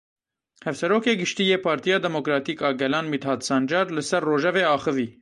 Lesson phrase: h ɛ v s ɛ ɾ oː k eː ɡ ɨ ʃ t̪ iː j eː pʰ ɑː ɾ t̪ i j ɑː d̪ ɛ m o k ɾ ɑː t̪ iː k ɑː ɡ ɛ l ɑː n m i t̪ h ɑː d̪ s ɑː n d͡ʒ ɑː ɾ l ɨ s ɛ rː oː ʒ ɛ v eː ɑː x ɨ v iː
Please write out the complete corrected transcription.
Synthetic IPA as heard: h ɛ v s ɛ ɾ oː k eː ɡ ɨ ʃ t̪ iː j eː pʰ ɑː ɾ t̪ i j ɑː d̪ ɛ m o k ɾ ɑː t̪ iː k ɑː ɡ ɛ l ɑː n m i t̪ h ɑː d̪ s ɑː n d͡ʒ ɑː ɾ l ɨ s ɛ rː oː ʒ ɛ v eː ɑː x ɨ v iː